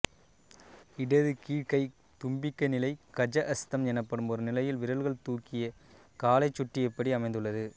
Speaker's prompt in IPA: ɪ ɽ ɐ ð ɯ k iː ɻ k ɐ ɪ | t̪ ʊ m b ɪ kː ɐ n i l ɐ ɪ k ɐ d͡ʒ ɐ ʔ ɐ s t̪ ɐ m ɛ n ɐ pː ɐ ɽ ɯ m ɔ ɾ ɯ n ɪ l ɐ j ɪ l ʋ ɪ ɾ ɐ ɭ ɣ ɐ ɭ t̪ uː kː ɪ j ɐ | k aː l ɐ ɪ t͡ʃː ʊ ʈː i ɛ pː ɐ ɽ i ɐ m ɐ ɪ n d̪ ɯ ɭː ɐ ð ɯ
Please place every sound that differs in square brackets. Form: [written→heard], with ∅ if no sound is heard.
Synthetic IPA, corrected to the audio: ɪ ɽ ɐ ð ɯ k iː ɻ k ɐ ɪ | t̪ ʊ m b ɪ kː ɐ n [i→ɪ] l ɐ ɪ k ɐ d͡ʒ ɐ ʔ ɐ s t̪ ɐ m ɛ n ɐ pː ɐ ɽ ɯ m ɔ ɾ ɯ n ɪ l ɐ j ɪ l ʋ ɪ ɾ ɐ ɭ ɣ ɐ ɭ t̪ uː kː ɪ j ɐ | k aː l ɐ ɪ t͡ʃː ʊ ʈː i ɛ pː ɐ ɽ i ɐ m ɐ ɪ n d̪ ɯ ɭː ɐ ð ɯ